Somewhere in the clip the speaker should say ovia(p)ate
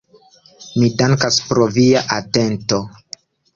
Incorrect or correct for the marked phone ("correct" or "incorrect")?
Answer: incorrect